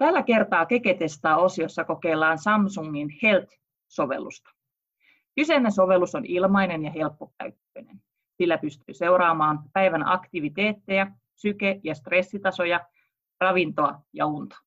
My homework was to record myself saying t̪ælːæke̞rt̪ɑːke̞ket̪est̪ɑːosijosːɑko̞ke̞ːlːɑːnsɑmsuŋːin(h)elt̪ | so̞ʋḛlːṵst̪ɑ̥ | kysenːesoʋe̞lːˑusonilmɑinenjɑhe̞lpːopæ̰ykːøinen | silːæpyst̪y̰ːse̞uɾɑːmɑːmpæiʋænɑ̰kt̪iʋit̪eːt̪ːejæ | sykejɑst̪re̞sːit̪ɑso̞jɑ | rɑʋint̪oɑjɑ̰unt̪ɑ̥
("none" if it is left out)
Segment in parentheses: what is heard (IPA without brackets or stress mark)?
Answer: h